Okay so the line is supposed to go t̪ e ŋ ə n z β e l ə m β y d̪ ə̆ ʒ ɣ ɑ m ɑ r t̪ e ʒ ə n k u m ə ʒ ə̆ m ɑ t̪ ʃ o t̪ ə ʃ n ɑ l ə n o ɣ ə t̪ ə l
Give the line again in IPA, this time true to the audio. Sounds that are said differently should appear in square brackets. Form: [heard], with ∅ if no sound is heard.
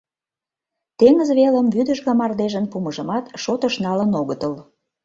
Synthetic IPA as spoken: t̪ e ŋ ə [∅] z β e l ə m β y d̪ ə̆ ʒ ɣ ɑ m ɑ r [d̪] e ʒ ə n [p] u m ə ʒ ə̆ m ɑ t̪ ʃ o t̪ ə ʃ n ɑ l ə n o ɣ ə t̪ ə l